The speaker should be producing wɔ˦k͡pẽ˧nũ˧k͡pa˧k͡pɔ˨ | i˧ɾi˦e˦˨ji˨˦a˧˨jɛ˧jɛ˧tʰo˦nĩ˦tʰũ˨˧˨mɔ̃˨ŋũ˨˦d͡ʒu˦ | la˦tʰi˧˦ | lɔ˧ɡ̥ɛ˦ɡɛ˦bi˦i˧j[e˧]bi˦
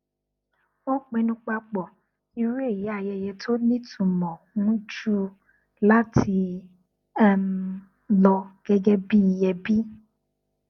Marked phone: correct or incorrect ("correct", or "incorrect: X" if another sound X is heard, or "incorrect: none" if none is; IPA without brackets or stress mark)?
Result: incorrect: ɛ˧